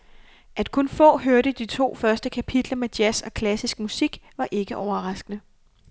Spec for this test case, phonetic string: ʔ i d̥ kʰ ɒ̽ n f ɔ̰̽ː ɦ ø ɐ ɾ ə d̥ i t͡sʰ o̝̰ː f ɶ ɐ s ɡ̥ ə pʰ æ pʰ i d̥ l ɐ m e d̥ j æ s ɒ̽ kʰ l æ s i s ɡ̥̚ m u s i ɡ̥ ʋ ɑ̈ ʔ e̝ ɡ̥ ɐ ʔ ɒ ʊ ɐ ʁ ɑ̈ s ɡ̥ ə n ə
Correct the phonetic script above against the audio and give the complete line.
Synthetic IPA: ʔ æ d̥ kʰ ɔ̽ n f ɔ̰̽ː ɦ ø ɐ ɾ ə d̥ i t͡sʰ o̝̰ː f ɶ ɐ s d̥ ə kʰ æ pʰ i d̥ l ɐ m e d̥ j æ s ɒ̽ kʰ l æ s i s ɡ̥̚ m u s i ɡ̥ ʋ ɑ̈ ʔ e̝ ɡ̥ ə ʔ ɒ ʊ ɐ ʁ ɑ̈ s ɡ̥ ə n ə